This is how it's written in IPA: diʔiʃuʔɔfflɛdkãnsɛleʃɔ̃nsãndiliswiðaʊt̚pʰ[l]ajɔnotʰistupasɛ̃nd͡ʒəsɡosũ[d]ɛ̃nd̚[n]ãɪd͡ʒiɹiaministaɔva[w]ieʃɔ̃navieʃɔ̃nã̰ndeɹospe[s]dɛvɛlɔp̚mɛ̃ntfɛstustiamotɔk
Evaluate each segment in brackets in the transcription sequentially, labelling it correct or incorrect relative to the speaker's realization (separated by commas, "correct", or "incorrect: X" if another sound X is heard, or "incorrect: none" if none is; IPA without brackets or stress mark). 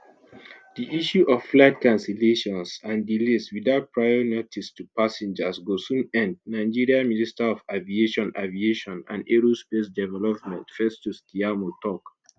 incorrect: ɹ, incorrect: n, correct, incorrect: v, correct